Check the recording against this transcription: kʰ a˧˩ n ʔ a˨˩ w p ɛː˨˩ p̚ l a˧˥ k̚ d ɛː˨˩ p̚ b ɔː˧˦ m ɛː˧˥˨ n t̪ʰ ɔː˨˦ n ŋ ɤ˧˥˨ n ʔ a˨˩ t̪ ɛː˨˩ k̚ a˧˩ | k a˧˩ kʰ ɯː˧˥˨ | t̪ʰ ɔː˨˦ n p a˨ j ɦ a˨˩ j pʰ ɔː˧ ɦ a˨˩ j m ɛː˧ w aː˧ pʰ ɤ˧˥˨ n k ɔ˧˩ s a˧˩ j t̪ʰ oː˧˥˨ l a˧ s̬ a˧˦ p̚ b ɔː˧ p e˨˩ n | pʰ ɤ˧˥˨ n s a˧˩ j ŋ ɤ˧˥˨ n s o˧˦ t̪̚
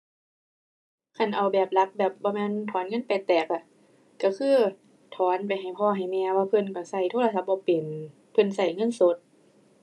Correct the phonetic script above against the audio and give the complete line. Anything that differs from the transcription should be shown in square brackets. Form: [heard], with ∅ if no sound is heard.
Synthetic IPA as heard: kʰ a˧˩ n ʔ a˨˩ w [b] ɛː˨˩ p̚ l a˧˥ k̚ [b] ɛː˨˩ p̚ b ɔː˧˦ m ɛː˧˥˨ n t̪ʰ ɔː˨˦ n ŋ ɤ˧˥˨ n [p] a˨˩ t̪ ɛː˨˩ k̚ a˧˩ | k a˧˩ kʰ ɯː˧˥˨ | t̪ʰ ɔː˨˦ n p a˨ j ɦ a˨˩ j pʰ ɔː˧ ɦ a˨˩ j m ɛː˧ w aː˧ pʰ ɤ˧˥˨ n k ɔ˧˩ s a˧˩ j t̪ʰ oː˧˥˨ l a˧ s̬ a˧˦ p̚ b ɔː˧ p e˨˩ n | pʰ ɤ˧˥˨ n s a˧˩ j ŋ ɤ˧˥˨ n s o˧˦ t̪̚